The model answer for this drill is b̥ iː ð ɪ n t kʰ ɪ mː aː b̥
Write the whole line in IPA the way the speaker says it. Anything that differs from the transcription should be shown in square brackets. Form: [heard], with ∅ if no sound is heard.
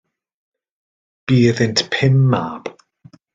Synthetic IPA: b̥ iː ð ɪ n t [pʰ] ɪ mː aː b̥